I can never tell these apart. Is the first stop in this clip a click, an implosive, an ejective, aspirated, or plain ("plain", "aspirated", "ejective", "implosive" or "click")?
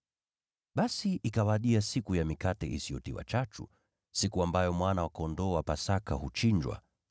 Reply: implosive